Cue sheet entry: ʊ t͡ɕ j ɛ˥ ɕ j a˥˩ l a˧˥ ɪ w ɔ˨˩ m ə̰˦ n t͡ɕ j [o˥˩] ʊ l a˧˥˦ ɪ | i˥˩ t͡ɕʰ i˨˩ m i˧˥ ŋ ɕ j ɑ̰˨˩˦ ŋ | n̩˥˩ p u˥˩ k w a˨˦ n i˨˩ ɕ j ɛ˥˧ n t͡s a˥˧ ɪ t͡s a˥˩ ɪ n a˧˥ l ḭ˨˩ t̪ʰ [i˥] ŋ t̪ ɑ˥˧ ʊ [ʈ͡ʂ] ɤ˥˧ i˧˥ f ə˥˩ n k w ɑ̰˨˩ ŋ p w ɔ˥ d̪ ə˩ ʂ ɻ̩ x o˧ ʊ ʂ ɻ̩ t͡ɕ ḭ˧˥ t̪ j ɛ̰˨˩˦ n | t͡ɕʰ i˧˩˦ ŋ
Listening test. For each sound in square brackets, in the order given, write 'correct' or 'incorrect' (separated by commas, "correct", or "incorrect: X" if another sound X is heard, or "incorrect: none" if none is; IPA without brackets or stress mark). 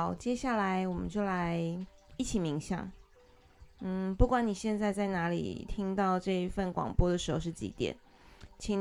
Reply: correct, correct, correct